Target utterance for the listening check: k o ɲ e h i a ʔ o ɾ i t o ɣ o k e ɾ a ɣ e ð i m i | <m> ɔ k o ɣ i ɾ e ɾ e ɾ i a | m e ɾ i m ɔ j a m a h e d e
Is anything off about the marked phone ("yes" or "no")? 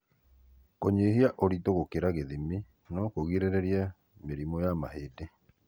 yes